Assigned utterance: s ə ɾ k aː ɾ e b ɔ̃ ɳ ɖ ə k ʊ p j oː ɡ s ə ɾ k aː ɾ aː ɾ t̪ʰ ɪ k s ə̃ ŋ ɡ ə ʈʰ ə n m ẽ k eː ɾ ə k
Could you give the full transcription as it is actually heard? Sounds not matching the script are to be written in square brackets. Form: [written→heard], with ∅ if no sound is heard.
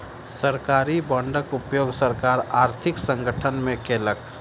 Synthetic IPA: s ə ɾ k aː ɾ [e→i] b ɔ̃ ɳ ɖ ə k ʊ p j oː ɡ s ə ɾ k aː ɾ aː ɾ t̪ʰ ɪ k s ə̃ ŋ ɡ ə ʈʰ ə n m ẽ k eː [ɾ→l] ə k